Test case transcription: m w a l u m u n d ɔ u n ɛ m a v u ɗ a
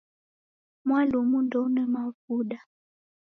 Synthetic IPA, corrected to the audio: m w a l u m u n d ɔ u n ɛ m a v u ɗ a